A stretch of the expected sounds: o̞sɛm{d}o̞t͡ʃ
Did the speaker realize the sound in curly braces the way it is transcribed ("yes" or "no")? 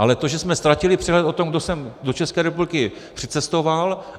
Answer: yes